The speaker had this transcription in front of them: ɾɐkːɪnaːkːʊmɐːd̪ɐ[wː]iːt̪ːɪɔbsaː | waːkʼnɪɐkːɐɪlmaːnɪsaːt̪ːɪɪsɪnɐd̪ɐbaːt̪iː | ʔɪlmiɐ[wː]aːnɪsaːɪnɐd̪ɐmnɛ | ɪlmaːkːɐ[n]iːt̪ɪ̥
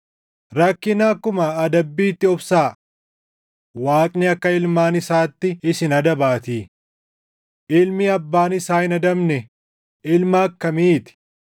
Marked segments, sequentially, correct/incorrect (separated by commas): incorrect, incorrect, incorrect